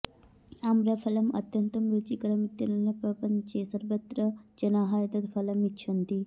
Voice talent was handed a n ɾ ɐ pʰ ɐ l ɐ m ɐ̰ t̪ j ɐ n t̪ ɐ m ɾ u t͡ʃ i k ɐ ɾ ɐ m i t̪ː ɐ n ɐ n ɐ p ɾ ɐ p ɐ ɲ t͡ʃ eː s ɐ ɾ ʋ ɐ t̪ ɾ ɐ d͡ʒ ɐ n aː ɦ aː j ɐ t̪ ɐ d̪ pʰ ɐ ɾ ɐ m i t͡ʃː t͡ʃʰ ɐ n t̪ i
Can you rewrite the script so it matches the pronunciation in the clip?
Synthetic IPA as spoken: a m ɾ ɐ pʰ ɐ l ɐ m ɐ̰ t̪ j ɐ n t̪ ɐ m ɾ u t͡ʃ i k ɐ ɾ ɐ m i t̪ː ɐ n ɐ n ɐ p ɾ ɐ p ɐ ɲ t͡ʃ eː s ɐ ɾ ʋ ɐ t̪ ɾ ɐ d͡ʒ ɐ n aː ɦ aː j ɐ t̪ ɐ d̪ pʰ ɐ l ɐ m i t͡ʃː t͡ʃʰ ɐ n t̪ i